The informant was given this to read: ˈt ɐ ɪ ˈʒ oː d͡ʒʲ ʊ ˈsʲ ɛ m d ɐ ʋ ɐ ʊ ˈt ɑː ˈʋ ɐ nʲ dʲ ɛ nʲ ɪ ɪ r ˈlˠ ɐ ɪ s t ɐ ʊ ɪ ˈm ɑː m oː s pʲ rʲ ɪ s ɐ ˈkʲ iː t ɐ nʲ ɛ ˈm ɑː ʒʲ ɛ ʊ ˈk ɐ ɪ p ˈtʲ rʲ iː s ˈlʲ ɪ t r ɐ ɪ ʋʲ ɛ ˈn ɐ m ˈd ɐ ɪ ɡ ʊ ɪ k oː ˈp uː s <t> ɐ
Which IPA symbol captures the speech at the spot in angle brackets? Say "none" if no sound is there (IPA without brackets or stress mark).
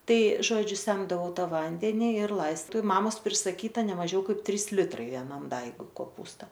t